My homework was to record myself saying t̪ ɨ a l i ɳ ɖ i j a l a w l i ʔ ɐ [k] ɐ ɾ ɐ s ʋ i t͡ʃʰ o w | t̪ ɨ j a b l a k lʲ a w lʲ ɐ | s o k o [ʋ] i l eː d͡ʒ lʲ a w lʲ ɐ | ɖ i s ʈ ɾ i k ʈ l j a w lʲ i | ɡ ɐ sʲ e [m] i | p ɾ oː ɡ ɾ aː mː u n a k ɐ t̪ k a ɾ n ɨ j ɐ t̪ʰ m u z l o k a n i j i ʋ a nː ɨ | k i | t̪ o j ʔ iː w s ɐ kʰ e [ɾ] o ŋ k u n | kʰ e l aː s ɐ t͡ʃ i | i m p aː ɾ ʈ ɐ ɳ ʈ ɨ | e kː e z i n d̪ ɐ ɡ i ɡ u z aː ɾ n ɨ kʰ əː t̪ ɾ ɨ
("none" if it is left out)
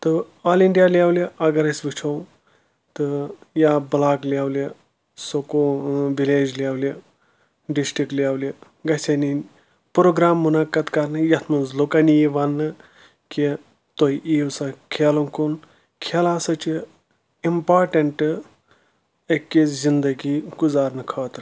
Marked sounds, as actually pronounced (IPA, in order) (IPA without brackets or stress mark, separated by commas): ɡ, ʋ, n, l